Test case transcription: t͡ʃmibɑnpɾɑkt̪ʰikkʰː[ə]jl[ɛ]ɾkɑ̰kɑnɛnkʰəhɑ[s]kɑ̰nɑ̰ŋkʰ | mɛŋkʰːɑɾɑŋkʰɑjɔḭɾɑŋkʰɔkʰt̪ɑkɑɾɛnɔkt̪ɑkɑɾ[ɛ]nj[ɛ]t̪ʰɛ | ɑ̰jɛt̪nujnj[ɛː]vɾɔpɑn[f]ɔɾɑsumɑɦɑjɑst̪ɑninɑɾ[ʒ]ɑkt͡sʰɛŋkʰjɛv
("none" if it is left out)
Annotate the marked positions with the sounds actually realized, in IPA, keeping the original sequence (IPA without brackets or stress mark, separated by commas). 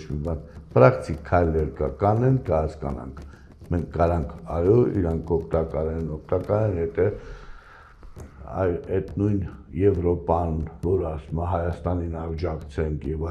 ɑ, ɛ, s, ɛ, ɛ, ɛ, v, d͡ʒ